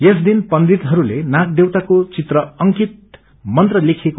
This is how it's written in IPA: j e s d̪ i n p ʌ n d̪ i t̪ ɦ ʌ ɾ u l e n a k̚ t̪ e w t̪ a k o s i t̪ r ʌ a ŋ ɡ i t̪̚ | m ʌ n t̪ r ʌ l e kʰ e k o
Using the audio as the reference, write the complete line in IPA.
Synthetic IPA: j e s d̪ i n p ʌ n d̪ i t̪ ɦ ʌ ɾ u l e n a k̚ d̪ e w t̪ a k o t͡s i t̪ r ʌ ʌ ŋ k i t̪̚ | m ʌ n t̪ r ʌ l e kʰ e k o